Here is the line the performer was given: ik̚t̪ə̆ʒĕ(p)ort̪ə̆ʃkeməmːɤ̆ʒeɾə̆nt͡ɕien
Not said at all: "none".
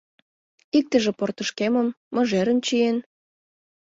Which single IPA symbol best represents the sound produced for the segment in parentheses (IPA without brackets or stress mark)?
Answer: p